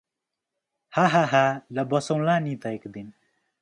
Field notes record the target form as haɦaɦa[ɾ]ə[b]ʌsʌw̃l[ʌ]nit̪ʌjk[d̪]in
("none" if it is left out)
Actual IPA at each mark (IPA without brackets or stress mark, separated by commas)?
l, b, a, d̪